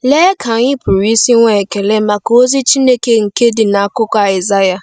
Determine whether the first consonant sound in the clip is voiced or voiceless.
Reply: voiced